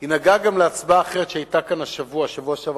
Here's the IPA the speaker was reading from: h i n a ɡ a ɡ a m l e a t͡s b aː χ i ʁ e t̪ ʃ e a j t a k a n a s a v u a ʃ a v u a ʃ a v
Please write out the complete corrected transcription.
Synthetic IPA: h i n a ɡ a ɡ a m l e a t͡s b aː χ e ʁ e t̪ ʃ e a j t a k a n a ʃ a v u a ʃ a v u a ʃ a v